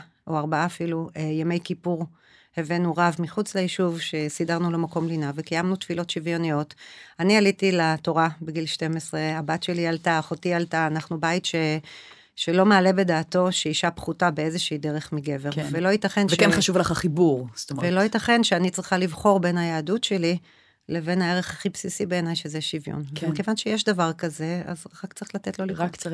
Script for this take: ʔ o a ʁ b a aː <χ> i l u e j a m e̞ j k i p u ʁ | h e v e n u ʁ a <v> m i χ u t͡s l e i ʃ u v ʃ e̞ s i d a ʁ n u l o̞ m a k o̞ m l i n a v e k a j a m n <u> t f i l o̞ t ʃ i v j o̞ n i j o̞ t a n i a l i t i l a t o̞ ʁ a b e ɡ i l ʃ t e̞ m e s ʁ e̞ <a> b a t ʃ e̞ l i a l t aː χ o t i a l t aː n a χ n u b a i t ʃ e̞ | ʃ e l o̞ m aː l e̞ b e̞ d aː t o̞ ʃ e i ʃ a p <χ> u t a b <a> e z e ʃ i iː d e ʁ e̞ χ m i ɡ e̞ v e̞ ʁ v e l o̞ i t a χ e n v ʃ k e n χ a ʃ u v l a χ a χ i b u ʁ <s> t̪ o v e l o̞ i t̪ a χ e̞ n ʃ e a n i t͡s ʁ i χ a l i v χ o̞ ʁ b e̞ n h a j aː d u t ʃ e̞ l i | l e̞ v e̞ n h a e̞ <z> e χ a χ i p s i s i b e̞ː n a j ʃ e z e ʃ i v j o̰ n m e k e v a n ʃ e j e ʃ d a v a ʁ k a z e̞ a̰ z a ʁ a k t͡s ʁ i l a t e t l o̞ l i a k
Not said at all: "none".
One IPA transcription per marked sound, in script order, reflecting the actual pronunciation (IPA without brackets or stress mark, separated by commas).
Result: f, v, u, a, χ, e, s, ʁ